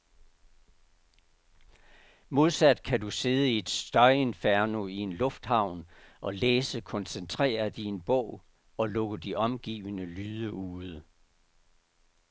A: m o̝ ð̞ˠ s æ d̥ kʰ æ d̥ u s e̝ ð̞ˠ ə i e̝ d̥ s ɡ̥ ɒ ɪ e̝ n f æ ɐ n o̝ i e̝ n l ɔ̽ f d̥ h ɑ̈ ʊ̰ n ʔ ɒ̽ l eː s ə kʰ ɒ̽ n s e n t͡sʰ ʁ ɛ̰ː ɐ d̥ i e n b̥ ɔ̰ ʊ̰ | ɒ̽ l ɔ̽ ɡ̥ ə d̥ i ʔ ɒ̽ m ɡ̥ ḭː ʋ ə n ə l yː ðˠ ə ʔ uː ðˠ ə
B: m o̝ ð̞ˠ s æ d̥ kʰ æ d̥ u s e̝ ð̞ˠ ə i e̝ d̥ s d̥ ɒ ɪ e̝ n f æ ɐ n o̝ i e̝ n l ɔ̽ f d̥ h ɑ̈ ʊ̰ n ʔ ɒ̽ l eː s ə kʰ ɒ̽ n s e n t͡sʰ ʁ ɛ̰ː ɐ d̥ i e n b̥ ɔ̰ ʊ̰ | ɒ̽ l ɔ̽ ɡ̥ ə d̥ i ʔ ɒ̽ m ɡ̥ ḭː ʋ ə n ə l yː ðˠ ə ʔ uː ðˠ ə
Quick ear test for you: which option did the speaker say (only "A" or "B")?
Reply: B